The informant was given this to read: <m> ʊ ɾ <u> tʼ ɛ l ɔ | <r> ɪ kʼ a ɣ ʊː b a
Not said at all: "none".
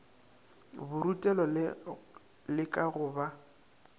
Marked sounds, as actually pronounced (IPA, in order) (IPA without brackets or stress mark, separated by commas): b, u, l